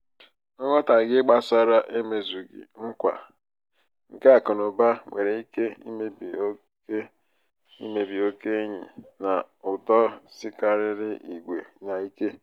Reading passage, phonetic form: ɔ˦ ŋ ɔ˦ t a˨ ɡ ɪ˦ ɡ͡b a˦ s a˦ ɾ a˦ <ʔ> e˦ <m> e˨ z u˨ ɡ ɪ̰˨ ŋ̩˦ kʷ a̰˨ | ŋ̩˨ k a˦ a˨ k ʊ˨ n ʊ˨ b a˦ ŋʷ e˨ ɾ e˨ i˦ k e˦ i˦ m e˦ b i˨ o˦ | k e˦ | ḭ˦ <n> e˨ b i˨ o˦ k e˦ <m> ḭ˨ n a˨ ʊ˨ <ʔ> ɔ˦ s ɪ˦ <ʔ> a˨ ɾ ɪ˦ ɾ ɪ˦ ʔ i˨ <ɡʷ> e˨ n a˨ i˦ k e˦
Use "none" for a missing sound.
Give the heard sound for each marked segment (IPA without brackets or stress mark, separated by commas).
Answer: ʔ, m, m, ɲ, t, k, ɡʷ